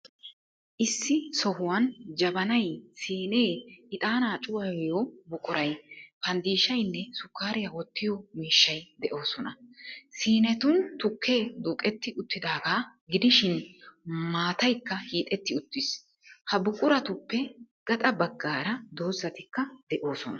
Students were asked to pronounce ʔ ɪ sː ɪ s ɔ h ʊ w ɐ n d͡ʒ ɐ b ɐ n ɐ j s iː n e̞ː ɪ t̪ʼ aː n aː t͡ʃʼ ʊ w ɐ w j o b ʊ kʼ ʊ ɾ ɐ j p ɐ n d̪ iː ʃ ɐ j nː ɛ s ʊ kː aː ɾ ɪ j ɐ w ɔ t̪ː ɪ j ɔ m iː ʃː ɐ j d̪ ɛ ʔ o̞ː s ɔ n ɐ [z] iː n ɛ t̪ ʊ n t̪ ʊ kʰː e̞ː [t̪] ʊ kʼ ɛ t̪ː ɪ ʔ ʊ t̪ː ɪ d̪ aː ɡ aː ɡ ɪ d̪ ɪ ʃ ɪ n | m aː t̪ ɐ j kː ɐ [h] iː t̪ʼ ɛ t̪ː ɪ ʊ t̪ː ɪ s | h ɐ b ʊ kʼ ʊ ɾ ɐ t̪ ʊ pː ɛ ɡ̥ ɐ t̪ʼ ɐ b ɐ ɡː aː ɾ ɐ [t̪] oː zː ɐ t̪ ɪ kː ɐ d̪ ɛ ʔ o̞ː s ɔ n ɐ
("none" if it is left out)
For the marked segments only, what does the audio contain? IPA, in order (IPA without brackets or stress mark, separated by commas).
s, d̪, h, d̪